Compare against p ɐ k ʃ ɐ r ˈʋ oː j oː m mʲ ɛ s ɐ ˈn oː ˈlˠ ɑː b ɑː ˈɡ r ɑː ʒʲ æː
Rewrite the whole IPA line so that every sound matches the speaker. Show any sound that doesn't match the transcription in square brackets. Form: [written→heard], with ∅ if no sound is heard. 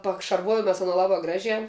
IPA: p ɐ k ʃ ɐ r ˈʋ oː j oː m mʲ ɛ s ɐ ˈn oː ˈlˠ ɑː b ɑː ˈɡ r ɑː ʒʲ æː